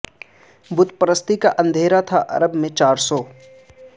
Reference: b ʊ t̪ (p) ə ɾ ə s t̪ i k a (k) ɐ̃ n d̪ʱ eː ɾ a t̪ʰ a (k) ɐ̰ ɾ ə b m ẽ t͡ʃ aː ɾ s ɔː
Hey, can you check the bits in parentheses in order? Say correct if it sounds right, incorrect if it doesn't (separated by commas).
correct, incorrect, incorrect